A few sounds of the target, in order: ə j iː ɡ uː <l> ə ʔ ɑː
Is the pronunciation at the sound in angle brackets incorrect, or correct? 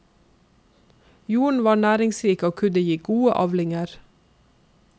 incorrect